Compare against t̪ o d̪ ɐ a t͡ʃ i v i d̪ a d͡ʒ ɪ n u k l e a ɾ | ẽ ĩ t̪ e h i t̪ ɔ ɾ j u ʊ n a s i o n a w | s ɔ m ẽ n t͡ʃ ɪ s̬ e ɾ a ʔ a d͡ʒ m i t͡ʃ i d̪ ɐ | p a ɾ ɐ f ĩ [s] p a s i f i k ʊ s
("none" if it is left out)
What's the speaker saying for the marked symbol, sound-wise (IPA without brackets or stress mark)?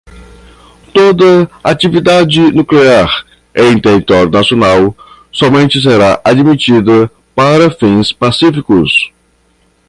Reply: s